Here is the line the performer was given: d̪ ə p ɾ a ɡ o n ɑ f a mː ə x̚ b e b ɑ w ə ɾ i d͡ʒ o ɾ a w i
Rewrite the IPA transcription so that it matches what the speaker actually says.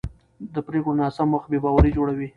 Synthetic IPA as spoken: d̪ ə p ɾ e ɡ o n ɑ s a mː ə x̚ b e b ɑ w a ɾ i d͡ʒ o ɽ a w i